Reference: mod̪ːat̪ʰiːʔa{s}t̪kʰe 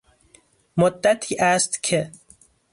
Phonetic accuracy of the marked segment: correct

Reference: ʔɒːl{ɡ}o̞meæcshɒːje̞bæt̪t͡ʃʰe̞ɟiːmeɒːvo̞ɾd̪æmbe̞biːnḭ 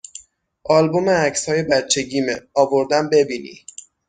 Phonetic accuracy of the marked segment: incorrect: b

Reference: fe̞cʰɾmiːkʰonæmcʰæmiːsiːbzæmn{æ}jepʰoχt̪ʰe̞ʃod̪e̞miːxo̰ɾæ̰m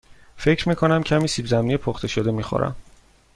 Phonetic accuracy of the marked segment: incorrect: i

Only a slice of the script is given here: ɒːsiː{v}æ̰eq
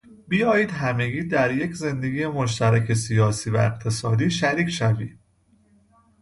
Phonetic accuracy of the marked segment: correct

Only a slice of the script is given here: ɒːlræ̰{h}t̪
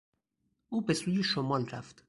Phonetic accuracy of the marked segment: incorrect: f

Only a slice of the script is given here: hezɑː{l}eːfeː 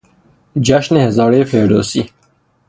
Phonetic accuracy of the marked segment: incorrect: ɾ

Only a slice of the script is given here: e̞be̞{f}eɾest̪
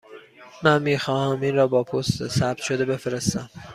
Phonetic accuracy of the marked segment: correct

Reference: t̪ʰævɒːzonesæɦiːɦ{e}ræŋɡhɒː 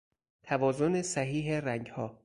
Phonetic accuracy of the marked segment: correct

